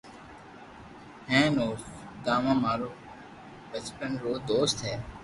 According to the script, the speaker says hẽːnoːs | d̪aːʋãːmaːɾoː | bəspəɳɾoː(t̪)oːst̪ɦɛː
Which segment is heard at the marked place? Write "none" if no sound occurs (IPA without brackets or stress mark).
d̪